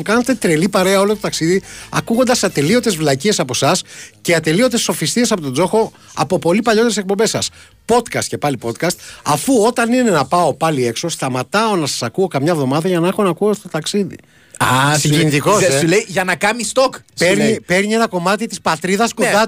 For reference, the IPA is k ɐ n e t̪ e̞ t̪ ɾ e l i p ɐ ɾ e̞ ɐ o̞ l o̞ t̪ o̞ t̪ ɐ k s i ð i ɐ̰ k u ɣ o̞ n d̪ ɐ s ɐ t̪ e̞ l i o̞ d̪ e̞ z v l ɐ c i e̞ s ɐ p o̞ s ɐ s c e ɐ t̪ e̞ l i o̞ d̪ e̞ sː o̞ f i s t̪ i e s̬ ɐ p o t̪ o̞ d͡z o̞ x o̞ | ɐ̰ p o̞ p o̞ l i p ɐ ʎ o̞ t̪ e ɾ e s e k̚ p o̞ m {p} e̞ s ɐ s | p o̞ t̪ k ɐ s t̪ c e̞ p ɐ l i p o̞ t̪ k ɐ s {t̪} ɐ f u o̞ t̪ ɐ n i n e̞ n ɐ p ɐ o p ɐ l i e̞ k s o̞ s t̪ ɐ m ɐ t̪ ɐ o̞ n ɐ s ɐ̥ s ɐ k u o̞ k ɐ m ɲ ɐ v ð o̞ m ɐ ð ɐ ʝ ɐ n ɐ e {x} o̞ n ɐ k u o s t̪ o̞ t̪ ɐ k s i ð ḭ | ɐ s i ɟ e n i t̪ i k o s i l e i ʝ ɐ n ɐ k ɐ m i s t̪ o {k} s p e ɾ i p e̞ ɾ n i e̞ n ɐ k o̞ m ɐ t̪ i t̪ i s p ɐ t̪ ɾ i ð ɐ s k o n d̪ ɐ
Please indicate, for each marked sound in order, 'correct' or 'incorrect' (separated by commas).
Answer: incorrect, correct, correct, correct